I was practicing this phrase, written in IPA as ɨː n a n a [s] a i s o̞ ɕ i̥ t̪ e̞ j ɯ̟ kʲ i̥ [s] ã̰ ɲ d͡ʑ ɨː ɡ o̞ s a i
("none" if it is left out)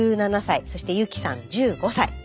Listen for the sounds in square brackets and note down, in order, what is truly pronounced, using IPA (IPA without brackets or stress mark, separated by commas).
s, s